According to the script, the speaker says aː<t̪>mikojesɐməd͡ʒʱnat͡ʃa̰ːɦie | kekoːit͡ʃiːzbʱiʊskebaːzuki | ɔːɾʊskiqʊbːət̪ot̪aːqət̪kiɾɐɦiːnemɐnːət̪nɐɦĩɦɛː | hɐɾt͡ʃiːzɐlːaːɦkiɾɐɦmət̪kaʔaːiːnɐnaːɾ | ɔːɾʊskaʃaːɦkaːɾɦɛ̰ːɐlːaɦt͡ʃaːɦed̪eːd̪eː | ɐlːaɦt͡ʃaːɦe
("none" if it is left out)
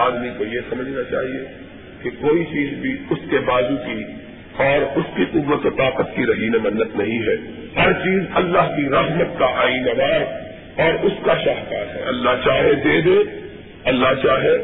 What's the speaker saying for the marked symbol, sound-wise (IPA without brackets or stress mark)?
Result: d̪